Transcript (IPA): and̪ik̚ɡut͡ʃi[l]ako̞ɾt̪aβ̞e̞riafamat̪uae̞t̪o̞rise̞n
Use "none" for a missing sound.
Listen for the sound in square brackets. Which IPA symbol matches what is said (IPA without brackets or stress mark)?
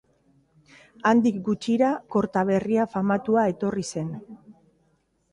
ɾ